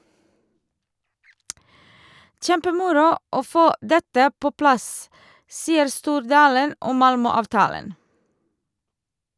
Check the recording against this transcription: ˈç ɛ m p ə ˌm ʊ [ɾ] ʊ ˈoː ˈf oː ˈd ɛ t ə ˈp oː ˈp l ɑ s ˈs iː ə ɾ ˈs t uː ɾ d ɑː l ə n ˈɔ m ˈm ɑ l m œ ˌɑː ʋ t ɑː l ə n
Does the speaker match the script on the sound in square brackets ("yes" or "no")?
yes